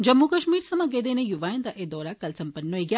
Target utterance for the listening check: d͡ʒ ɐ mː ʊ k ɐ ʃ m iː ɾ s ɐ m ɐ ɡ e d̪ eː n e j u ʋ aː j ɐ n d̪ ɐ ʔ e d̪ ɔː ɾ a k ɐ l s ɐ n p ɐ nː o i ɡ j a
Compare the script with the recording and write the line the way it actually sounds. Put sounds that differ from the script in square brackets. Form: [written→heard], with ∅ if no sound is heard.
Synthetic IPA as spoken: d͡ʒ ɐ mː [ʊ→u] k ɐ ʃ m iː ɾ s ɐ m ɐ ɡ e d̪ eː n e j u ʋ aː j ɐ n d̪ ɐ ʔ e d̪ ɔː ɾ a k ɐ l s ɐ [n→m] p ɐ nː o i ɡ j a

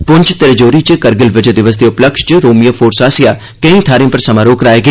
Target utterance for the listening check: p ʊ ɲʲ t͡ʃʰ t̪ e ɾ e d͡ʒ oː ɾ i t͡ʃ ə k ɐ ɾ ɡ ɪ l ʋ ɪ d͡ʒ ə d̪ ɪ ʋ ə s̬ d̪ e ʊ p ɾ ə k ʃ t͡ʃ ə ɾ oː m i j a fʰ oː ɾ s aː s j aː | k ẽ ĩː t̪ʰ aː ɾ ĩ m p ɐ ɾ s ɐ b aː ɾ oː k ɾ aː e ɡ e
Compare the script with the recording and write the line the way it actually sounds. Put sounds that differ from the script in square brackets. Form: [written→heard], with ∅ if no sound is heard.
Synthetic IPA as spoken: p ʊ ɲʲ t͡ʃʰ t̪ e ɾ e d͡ʒ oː ɾ i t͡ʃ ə k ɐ ɾ ɡ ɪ l ʋ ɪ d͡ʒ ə d̪ ɪ ʋ ə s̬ d̪ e ʊ p [ɾ→l] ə k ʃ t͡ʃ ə ɾ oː m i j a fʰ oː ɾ s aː s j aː | k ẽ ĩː t̪ʰ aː ɾ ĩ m p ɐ ɾ s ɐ [b→m] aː ɾ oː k ɾ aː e ɡ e

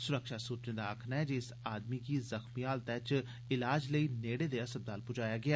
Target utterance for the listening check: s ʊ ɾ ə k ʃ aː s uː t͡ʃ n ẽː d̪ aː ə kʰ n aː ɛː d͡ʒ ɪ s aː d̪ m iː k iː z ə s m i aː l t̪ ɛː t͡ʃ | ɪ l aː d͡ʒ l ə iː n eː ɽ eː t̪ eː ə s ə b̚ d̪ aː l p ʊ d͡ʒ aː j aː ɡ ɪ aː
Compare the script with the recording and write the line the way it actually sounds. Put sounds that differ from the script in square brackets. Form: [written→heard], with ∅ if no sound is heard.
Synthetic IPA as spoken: s ʊ ɾ ə k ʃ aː s uː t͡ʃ n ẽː d̪ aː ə kʰ n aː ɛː d͡ʒ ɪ s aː d̪ m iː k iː z ə [s→x] m i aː l t̪ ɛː t͡ʃ | ɪ l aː d͡ʒ l ə iː n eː ɽ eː [t̪→d̪] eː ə s ə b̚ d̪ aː l p ʊ d͡ʒ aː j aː ɡ ɪ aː

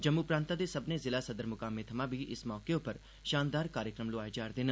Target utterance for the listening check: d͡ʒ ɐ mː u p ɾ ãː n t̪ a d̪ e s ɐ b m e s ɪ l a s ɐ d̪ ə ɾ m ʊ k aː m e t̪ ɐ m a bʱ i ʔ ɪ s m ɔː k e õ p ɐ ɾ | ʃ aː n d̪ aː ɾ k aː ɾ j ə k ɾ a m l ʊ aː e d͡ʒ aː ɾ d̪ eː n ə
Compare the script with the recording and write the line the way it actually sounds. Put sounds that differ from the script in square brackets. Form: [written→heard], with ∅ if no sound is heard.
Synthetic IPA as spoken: d͡ʒ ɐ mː u p ɾ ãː n t̪ a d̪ e s ɐ b [m→n] e [s→z] ɪ l a s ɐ d̪ ə ɾ m ʊ k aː m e [t̪→t̪ʰ] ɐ m a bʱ i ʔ ɪ s m ɔː k e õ p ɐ ɾ | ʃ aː n d̪ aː ɾ k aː ɾ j ə k ɾ [a→ə] m l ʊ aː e d͡ʒ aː ɾ d̪ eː n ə

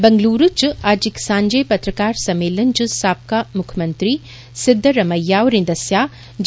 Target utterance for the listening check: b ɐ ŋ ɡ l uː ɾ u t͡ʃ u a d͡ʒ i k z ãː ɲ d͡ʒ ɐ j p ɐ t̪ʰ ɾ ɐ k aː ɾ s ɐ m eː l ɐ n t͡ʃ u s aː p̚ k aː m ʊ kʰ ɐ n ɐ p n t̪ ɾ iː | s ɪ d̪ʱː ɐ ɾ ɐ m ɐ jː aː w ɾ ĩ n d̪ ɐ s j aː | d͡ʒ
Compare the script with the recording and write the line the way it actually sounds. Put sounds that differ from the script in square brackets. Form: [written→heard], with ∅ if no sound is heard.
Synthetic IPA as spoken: b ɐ ŋ ɡ l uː ɾ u t͡ʃ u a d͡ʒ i k [z→s] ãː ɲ d͡ʒ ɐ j p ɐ [t̪ʰ→t̪] ɾ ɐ k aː ɾ s ɐ m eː l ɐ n t͡ʃ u s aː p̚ k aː m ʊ kʰ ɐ [n→m] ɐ [p→∅] n t̪ ɾ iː | s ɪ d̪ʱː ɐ ɾ ɐ m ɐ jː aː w ɾ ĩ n d̪ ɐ s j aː | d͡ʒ

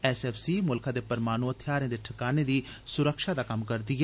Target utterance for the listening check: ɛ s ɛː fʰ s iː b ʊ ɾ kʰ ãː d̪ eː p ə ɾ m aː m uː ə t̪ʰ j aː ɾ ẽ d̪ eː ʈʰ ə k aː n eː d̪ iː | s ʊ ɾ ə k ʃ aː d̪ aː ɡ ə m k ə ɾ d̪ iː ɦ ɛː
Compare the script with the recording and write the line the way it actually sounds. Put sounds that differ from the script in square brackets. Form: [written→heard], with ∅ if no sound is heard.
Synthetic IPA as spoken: ɛ s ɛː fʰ s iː [b→m] ʊ [ɾ→l] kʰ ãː d̪ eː p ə ɾ m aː [m→n] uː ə t̪ʰ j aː ɾ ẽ d̪ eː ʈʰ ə k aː n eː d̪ iː | s ʊ ɾ ə k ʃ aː d̪ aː [ɡ→k] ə m k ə ɾ d̪ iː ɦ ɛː

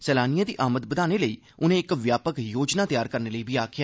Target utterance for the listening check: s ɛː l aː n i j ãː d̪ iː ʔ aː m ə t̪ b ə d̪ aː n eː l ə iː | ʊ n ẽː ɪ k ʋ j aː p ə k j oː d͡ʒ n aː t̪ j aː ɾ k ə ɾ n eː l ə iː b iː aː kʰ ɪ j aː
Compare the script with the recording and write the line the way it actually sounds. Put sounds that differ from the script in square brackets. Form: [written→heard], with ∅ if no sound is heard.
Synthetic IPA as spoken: s ɛː l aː n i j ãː d̪ iː ʔ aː m ə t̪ b ə d̪ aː n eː l ə iː | ʊ n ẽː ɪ k ʋ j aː p ə k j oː d͡ʒ n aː t̪ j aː ɾ k ə ɾ n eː l ə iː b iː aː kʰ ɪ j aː

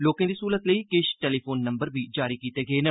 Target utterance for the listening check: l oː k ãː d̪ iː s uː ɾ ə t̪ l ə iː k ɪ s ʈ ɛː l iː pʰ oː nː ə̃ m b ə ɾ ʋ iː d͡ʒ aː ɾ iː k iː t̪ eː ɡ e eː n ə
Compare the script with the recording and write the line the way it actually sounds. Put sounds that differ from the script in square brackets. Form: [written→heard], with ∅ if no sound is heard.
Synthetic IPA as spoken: l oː k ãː d̪ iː s uː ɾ ə t̪ l ə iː k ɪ [s→ʃ] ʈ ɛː l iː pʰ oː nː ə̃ m b ə ɾ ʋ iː d͡ʒ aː ɾ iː k iː t̪ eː ɡ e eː n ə

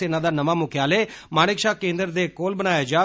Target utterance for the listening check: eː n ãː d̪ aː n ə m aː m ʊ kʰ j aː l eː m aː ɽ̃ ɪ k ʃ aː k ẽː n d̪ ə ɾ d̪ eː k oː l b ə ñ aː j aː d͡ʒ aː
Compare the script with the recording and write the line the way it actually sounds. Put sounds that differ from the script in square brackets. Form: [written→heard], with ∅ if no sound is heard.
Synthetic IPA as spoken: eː n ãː d̪ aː n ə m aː m ʊ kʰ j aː l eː m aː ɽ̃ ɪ k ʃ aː k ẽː n d̪ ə ɾ d̪ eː k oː l b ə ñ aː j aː d͡ʒ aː

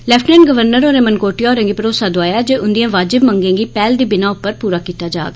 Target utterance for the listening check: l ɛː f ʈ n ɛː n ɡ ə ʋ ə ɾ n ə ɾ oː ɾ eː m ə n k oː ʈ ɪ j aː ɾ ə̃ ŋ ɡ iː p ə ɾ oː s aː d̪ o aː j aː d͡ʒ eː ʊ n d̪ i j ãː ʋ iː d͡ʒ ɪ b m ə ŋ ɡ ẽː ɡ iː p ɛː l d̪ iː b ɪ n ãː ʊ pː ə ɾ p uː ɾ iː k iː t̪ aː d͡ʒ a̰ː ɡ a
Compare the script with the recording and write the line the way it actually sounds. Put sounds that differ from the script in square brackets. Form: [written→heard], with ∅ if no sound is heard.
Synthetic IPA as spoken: l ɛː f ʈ n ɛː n ɡ ə ʋ ə ɾ n ə ɾ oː ɾ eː m ə n k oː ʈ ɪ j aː ɾ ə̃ ŋ ɡ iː p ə ɾ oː s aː d̪ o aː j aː d͡ʒ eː ʊ n d̪ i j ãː ʋ [iː→aː] d͡ʒ ɪ b m ə ŋ ɡ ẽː ɡ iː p ɛː l d̪ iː b ɪ n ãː ʊ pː ə ɾ p uː ɾ [iː→aː] k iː t̪ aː d͡ʒ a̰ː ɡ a

